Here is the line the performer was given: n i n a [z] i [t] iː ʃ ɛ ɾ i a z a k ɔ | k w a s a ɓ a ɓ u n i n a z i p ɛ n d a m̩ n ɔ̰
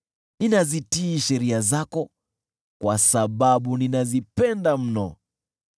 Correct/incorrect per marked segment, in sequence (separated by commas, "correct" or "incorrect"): correct, correct